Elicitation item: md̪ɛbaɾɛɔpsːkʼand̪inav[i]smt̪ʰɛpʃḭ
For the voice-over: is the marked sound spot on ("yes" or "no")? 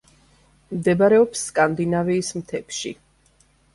no